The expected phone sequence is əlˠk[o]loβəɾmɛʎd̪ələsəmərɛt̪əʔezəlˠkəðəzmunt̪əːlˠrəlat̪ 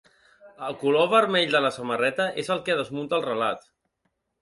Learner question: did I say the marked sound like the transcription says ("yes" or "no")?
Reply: no